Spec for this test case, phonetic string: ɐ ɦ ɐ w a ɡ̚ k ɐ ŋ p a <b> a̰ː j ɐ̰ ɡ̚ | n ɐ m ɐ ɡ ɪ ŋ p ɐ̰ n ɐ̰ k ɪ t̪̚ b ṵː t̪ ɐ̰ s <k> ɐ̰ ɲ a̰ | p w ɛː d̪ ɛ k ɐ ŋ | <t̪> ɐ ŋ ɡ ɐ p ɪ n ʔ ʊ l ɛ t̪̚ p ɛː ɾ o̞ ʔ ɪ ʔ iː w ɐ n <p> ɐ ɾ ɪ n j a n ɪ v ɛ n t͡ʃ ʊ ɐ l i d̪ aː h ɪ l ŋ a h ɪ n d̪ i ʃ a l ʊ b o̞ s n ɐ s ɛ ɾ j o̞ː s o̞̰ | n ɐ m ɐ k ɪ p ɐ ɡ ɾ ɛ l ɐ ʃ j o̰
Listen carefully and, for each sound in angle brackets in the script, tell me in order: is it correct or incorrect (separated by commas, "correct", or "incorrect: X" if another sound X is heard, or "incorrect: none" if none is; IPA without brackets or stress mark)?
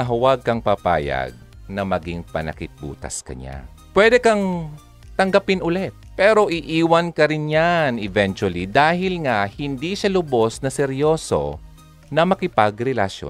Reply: incorrect: p, correct, correct, incorrect: k